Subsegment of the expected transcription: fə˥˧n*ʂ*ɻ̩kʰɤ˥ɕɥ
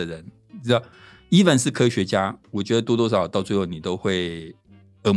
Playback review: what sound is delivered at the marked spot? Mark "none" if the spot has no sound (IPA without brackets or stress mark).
ʂ